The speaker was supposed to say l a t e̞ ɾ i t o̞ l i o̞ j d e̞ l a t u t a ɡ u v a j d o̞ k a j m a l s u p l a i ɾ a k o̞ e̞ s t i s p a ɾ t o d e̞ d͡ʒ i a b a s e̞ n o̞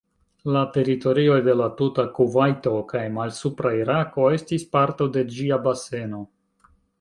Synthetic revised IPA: l a t e̞ ɾ i t o̞ ɾ i o̞ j d e̞ l a t u t a k u v a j t o̞ k a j m a l s u p ɾ a i ɾ a k o̞ e̞ s t i s p a ɾ t o d e̞ d͡ʒ i a b a s e̞ n o̞